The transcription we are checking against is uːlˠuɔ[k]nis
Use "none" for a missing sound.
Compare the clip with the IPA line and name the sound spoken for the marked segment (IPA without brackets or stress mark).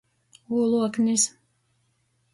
k